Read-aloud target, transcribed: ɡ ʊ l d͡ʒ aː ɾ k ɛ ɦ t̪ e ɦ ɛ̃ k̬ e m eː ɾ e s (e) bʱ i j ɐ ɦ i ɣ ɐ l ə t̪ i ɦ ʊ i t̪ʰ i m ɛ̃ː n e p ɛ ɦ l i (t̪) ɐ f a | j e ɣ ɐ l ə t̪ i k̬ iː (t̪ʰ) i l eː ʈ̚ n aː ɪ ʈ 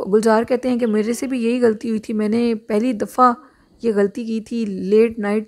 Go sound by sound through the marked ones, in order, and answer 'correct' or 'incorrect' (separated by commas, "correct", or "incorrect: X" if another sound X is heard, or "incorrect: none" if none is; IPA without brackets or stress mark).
correct, incorrect: d̪, correct